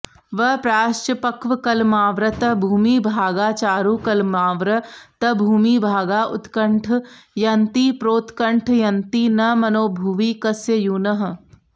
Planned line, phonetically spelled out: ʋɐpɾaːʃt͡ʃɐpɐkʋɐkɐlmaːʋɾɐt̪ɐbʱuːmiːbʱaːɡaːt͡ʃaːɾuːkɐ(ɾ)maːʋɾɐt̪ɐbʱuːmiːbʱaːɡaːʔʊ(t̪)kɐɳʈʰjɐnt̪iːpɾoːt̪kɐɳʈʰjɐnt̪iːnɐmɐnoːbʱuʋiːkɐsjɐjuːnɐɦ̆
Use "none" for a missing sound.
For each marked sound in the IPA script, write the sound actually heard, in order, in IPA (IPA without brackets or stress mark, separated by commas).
l, t̪